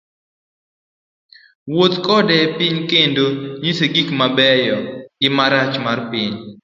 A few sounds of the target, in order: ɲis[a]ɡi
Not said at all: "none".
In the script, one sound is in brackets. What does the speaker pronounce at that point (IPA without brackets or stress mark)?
e